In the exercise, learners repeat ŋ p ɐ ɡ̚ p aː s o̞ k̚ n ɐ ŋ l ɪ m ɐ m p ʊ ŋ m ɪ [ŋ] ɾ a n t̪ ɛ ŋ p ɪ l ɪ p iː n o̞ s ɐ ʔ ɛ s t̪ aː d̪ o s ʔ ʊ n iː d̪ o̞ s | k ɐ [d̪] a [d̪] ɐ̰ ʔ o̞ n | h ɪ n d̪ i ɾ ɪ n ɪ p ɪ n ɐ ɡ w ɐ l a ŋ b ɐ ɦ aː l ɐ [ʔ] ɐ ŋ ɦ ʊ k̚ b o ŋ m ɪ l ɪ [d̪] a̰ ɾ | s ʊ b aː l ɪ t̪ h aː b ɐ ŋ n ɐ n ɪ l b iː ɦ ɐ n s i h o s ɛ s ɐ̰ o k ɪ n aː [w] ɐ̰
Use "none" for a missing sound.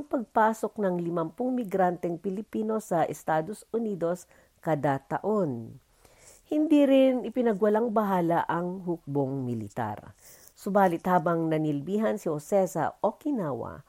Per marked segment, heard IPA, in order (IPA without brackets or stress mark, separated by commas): ɡ, d̪, t̪, ʔ, t̪, w